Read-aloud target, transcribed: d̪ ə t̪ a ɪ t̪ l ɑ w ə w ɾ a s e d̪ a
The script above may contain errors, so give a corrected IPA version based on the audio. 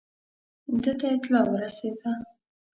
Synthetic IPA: d̪ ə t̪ a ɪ t̪ l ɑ w ə ɾ a s e d̪ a